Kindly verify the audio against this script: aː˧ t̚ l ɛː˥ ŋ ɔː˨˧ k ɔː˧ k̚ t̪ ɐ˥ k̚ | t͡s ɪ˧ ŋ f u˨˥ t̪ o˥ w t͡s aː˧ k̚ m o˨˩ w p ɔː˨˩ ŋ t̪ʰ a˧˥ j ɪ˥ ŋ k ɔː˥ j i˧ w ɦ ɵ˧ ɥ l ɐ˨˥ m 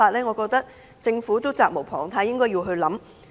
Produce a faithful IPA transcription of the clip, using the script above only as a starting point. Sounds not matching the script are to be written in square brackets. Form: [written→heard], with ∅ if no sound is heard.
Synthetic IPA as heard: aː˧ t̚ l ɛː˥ ŋ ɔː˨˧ k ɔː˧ k̚ t̪ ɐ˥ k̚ | t͡s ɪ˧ ŋ f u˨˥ t̪ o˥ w t͡s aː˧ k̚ m o˨˩ w [p→pʰ] ɔː˨˩ ŋ t̪ʰ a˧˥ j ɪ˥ ŋ k ɔː˥ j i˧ w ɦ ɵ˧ ɥ l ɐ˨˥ m

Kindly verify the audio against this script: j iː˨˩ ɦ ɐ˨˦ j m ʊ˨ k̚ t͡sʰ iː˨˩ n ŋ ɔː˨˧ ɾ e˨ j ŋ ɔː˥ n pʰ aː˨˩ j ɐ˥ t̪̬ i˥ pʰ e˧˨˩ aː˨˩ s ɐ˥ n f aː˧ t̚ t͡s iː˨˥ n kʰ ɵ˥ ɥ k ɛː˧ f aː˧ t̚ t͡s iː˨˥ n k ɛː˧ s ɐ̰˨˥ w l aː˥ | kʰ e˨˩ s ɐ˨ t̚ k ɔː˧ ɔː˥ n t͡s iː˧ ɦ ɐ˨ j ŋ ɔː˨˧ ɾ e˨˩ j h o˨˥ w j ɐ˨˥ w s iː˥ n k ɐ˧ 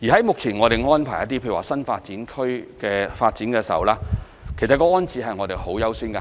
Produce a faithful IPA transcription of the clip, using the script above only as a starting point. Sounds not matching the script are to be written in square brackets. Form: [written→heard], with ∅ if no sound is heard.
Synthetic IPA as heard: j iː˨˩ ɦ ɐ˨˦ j m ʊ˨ k̚ t͡sʰ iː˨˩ n ŋ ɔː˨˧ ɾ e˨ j ŋ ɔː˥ n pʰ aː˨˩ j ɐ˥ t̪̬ i˥ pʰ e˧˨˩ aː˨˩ s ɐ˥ n f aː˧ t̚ t͡s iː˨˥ n kʰ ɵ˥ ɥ k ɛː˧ f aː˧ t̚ t͡s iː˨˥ n k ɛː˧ s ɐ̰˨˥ w l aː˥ | kʰ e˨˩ s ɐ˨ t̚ k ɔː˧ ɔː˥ n t͡s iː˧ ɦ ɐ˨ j ŋ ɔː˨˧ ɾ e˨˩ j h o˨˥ w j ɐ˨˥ w s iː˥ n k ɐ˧

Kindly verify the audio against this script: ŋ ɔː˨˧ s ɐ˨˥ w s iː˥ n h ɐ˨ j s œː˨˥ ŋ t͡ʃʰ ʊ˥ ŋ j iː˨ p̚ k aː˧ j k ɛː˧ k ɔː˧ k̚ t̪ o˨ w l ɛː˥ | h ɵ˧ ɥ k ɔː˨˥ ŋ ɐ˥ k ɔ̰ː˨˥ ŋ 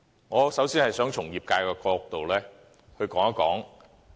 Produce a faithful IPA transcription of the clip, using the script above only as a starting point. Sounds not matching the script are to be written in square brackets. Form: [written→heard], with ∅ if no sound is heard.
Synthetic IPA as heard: ŋ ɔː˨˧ s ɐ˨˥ w s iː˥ n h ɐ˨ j s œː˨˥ ŋ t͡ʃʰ [ʊ˥→ʊ˨˩] ŋ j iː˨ p̚ k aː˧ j k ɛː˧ k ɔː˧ k̚ t̪ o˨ w l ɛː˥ | h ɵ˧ ɥ k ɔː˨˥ ŋ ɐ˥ k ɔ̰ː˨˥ ŋ

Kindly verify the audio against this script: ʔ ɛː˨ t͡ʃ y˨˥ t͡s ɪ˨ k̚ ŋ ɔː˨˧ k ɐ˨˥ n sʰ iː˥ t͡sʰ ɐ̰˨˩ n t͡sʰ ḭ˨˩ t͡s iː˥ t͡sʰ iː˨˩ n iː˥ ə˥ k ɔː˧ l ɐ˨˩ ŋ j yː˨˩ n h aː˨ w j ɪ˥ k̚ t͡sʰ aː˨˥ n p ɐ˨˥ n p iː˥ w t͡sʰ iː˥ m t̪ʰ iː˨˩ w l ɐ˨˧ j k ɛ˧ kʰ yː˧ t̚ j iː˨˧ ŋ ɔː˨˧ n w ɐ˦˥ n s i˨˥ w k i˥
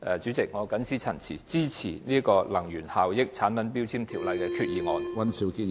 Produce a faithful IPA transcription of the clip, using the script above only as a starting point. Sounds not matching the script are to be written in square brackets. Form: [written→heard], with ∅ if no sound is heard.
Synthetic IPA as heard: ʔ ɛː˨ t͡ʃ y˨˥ t͡s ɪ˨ k̚ ŋ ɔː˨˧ k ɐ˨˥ n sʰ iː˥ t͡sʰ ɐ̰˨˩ n t͡sʰ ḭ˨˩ t͡s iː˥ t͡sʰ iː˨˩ n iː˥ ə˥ k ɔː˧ l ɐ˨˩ ŋ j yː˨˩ n h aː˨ w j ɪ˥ k̚ t͡sʰ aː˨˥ n p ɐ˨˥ n p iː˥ w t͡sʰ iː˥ m t̪ʰ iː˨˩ w l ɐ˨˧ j k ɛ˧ kʰ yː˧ t̚ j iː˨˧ ŋ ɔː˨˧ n w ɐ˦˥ n s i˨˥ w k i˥

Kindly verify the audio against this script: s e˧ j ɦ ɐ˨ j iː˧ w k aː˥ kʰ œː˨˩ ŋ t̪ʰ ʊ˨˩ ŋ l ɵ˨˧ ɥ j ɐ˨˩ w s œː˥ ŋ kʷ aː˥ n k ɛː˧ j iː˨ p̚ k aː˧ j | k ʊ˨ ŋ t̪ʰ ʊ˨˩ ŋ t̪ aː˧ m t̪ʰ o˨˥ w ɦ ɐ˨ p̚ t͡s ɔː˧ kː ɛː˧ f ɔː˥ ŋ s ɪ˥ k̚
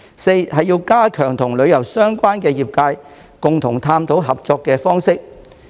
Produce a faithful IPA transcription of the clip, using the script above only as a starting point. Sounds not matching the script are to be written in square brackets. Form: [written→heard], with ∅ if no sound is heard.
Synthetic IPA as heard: s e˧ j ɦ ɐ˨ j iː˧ w k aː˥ kʰ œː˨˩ ŋ t̪ʰ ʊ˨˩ ŋ l ɵ˨˧ ɥ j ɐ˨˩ w s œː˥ ŋ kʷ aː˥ n k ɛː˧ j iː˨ p̚ k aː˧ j | k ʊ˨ ŋ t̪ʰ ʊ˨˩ ŋ [t̪→t̪ʰ] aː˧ m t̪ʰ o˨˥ w ɦ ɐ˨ p̚ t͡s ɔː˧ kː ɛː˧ f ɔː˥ ŋ s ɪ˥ k̚

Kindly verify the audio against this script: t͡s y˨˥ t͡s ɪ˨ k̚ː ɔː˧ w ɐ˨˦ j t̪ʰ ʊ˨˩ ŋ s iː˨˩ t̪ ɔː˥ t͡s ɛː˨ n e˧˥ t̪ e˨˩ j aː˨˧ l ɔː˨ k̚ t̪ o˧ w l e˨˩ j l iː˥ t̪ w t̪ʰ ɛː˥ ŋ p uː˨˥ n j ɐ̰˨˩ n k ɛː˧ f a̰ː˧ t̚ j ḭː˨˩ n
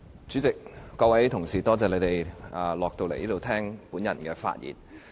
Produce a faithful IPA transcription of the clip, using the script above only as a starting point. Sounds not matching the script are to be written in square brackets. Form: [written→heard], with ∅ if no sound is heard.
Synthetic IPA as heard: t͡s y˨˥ t͡s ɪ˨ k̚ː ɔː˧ w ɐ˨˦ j t̪ʰ ʊ˨˩ ŋ s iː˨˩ t̪ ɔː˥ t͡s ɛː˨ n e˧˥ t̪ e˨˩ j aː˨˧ l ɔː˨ k̚ t̪ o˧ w l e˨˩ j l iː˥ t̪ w t̪ʰ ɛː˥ ŋ p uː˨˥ n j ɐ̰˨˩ n k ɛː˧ f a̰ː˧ t̚ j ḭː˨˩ n

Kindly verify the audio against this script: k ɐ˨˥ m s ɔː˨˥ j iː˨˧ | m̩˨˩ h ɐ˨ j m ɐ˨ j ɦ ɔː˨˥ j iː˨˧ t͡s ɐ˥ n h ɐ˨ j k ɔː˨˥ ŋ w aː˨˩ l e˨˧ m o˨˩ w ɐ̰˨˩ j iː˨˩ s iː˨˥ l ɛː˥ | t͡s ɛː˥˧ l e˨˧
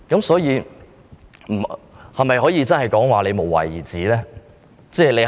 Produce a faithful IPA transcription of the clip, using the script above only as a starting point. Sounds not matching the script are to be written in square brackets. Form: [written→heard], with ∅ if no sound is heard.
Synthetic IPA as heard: k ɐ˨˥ m s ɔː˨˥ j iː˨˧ | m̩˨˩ h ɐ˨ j m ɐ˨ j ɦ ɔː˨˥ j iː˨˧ t͡s ɐ˥ n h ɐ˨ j k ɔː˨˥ ŋ w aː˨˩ l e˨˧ m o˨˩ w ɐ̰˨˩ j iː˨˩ [s→t͡s] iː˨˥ l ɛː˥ | t͡s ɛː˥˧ l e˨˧

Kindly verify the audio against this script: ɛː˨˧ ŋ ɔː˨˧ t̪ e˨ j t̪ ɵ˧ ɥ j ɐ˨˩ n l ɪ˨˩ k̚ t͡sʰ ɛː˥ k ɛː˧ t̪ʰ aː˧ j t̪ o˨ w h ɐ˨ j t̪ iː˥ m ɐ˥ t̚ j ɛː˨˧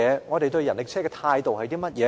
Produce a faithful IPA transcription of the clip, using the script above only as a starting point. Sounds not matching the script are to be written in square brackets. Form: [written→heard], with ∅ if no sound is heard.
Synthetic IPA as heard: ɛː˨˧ ŋ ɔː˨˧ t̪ e˨ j t̪ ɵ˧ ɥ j ɐ˨˩ n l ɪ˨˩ k̚ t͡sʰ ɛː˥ k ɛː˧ t̪ʰ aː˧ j t̪ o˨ w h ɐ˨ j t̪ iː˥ m ɐ˥ t̚ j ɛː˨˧

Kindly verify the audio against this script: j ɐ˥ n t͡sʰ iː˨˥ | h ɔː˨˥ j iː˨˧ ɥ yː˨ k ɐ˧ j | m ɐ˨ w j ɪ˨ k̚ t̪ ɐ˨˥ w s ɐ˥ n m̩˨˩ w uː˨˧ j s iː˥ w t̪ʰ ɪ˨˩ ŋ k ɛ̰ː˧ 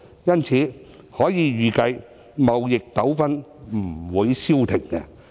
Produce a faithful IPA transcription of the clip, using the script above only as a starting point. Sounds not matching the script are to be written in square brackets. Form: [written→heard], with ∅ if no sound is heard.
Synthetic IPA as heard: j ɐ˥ n t͡sʰ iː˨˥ | h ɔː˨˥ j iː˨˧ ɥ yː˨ k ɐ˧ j | m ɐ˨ w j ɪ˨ k̚ t̪ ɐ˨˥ w [s→f] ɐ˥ n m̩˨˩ w uː˨˧ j s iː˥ w t̪ʰ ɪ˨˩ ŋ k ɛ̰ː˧

